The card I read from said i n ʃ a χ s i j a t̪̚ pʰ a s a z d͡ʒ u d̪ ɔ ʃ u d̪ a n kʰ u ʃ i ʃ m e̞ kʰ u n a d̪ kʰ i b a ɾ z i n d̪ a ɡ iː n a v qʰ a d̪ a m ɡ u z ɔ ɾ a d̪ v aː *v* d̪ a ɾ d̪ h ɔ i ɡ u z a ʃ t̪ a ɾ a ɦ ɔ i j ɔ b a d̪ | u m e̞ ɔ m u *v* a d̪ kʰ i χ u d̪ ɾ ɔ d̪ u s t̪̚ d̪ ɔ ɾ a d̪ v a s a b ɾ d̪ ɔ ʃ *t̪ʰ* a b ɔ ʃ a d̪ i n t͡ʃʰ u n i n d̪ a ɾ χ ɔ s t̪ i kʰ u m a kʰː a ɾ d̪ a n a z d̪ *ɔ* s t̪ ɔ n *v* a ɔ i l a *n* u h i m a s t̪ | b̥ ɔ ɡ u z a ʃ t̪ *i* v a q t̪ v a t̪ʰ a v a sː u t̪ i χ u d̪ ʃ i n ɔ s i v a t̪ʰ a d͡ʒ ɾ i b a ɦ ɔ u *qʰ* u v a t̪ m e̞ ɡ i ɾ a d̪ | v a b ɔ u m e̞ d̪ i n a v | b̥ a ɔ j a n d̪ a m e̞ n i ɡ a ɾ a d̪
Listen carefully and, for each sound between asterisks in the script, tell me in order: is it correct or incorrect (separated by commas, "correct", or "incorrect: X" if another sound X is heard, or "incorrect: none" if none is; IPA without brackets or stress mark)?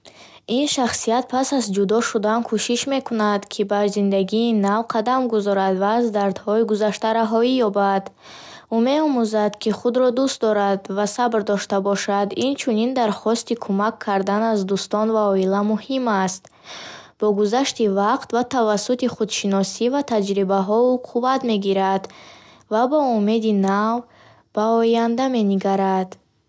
incorrect: z, incorrect: z, incorrect: t̪, incorrect: u, correct, incorrect: m, correct, correct